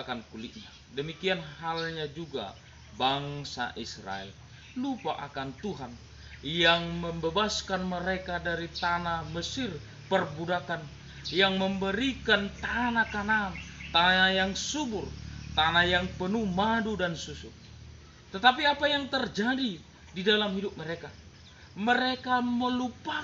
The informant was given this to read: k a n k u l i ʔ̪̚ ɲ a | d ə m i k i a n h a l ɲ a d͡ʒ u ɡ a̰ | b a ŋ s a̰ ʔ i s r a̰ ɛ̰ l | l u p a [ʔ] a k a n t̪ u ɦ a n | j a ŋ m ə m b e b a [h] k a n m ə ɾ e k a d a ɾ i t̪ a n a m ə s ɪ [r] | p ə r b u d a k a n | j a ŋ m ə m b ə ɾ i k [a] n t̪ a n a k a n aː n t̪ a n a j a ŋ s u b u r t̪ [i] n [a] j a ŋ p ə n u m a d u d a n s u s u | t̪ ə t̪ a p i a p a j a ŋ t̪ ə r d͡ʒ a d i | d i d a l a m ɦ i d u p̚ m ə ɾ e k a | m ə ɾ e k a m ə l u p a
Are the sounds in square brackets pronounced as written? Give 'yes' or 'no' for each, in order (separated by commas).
yes, no, yes, yes, no, yes